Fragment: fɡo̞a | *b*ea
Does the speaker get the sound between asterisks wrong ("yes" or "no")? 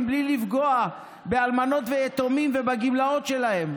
no